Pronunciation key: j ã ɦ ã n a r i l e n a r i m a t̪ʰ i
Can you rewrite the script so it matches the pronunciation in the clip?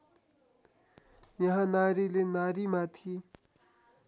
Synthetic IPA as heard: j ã ɦ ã n a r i l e n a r i m a t̪ʰ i